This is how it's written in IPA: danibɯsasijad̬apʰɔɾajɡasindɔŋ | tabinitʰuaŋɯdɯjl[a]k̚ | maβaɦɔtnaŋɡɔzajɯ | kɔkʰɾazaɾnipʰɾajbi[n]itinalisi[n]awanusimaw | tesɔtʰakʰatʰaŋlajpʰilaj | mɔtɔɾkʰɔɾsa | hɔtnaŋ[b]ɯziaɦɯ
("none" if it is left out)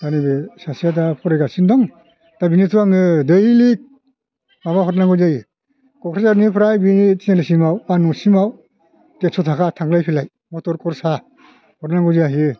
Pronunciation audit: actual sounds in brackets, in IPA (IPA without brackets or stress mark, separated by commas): i, n, m, ɡ